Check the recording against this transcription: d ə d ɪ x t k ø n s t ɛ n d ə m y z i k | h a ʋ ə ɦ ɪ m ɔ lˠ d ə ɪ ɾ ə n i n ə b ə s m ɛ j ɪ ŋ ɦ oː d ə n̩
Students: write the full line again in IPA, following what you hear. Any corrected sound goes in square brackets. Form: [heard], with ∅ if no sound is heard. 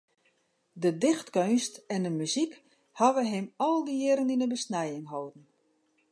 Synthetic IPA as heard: d ə d ɪ x t k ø n s t ɛ n d ə m y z i k | h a ʋ ə ɦ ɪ m ɔ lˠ d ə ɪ ɾ ə n i n ə b ə s [n] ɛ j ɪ ŋ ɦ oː d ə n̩